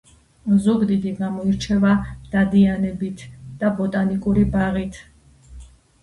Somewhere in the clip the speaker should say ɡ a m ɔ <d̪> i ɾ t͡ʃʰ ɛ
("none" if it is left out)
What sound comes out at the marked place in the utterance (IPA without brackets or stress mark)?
none